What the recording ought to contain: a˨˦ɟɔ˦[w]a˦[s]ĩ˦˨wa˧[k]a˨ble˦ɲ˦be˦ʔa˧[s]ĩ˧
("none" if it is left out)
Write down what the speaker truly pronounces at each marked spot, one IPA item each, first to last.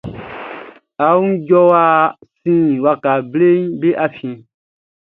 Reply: w, s, k, f

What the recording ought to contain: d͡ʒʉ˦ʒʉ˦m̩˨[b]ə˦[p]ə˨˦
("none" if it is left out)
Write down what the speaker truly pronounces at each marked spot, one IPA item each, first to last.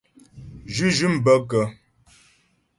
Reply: b, k

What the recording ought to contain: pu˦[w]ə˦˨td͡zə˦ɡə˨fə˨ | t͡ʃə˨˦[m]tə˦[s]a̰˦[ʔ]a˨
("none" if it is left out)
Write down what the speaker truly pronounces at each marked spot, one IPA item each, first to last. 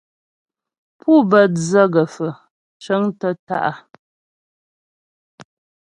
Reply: b, ŋ, t, ʔ

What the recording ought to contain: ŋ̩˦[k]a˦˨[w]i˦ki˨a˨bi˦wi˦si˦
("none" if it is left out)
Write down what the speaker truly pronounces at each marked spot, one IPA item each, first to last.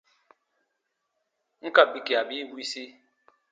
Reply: k, b

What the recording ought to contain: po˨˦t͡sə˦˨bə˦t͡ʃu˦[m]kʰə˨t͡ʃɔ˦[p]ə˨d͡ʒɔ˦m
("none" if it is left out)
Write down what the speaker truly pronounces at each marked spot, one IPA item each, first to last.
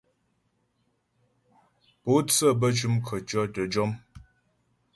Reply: m, t

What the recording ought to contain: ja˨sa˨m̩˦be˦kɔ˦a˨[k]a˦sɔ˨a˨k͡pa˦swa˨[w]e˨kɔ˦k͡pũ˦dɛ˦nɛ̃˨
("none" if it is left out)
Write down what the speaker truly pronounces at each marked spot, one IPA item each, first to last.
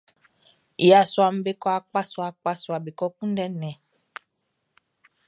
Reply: k͡p, b

